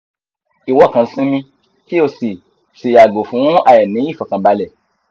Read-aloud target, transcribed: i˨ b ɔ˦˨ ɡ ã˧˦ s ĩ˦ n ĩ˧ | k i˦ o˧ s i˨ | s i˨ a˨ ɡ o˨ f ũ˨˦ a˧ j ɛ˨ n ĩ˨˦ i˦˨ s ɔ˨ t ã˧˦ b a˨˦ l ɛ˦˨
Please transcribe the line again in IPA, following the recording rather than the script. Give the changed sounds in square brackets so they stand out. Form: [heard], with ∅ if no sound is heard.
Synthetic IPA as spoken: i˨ [w] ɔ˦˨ [k] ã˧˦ s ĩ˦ [m] ĩ˧ | k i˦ o˧ s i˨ | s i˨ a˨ ɡ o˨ f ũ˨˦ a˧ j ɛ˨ n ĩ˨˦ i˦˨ [f] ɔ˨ [k] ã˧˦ b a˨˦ l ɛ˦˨